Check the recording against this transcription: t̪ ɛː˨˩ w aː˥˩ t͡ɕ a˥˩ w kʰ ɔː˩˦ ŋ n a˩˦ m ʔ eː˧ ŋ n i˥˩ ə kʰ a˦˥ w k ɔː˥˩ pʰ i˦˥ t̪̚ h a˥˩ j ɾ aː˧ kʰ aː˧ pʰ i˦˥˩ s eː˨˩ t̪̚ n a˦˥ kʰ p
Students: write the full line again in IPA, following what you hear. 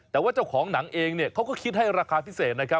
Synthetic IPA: t̪ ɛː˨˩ w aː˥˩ t͡ɕ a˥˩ w kʰ ɔː˩˦ ŋ n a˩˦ ŋ ʔ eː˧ ŋ n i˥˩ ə kʰ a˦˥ w k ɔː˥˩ kʰ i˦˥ t̪̚ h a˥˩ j ɾ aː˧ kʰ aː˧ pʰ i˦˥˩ s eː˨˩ t̪̚ n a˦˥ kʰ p